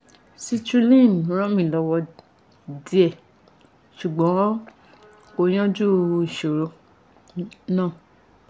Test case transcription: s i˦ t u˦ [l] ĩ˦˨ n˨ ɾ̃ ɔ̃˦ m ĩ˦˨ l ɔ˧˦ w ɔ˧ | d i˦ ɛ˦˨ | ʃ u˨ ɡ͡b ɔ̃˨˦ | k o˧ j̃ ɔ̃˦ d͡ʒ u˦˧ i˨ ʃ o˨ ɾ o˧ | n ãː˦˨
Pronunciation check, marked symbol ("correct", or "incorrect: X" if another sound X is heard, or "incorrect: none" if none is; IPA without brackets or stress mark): correct